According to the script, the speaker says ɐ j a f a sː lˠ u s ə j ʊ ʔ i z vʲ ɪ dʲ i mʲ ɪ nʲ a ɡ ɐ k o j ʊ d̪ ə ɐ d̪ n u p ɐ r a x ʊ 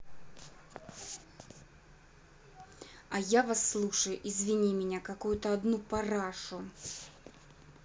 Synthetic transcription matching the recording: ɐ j a v a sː lˠ u ʂ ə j ʊ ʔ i z vʲ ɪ nʲ i mʲ ɪ nʲ a k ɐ k u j ʊ t̪ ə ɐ d̪ n u p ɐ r a ʂ ʊ